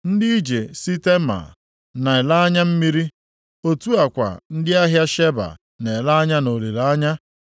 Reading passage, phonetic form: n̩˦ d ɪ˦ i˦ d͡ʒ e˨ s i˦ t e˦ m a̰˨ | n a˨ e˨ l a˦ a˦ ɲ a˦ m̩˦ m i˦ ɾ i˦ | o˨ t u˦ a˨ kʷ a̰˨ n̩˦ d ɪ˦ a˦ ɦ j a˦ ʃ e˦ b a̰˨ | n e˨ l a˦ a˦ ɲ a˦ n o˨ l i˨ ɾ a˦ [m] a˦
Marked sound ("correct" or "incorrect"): incorrect